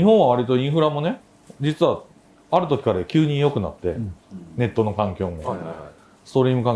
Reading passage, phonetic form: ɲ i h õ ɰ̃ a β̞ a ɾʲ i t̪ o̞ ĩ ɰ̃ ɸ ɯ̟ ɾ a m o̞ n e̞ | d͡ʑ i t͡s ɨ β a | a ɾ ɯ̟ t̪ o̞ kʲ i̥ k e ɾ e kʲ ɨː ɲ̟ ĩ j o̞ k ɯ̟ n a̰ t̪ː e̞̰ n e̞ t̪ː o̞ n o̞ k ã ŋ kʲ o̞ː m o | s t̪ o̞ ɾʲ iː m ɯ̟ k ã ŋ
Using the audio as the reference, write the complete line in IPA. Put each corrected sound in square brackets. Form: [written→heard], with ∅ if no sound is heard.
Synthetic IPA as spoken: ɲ i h õ ɰ̃ a β̞ a ɾʲ i t̪ o̞ ĩ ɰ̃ ɸ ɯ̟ ɾ a m o̞ n e̞ | d͡ʑ i t͡s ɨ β a | a ɾ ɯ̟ t̪ o̞ kʲ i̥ k [e→a] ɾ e kʲ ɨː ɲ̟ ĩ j o̞ k ɯ̟ n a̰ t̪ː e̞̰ n e̞ t̪ː o̞ n o̞ k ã ŋ kʲ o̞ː m o | s t̪ o̞ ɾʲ iː m ɯ̟ k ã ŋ